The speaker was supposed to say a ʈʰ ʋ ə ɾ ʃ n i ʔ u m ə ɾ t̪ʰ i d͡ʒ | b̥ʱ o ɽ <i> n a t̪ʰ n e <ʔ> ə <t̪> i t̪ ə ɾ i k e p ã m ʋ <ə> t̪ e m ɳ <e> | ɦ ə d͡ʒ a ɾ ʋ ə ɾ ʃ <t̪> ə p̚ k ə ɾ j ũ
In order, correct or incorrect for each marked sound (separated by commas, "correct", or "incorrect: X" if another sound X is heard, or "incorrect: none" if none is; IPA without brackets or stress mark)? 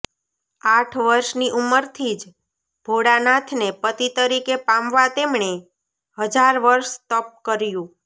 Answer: incorrect: a, incorrect: p, correct, incorrect: a, correct, correct